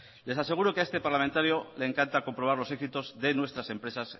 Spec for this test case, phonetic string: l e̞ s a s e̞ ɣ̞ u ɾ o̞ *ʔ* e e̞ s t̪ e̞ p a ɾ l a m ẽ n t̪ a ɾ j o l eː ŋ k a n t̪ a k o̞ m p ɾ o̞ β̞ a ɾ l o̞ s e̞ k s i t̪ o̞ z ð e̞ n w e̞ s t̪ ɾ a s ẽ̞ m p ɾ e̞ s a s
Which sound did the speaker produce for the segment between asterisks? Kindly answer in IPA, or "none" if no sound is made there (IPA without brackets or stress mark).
k